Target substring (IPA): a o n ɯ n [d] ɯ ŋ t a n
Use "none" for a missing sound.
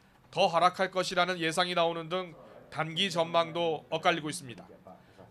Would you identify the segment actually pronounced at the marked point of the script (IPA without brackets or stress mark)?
d